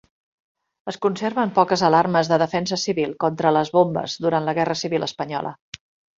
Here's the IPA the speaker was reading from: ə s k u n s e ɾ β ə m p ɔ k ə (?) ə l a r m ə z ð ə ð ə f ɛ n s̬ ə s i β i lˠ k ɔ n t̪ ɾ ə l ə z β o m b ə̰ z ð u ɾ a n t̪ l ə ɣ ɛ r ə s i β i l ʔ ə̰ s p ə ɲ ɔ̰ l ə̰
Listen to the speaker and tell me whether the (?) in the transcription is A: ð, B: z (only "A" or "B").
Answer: B